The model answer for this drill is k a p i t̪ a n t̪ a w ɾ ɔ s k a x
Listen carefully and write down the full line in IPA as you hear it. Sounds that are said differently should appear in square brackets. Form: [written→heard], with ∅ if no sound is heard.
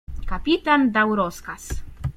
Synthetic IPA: k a p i t̪ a n [t̪→d̪] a w ɾ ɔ s k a [x→s]